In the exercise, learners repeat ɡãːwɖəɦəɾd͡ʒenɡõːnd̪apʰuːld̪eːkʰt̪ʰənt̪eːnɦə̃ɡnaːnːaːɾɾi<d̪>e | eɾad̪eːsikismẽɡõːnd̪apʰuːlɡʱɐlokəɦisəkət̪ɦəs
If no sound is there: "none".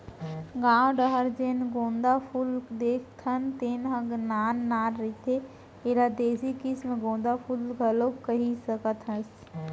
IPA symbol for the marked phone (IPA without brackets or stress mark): t̪